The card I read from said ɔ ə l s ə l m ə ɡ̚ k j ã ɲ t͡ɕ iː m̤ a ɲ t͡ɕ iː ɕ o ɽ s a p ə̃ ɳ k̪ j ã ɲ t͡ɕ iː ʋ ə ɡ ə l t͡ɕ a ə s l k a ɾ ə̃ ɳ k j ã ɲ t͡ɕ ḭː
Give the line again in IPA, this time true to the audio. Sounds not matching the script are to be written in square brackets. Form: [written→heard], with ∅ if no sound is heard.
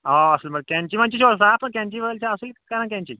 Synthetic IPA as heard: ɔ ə [l→∅] s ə l m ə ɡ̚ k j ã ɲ t͡ɕ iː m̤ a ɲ t͡ɕ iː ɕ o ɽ s a p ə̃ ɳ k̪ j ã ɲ t͡ɕ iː ʋ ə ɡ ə l t͡ɕ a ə s l k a ɾ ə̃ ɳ k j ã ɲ t͡ɕ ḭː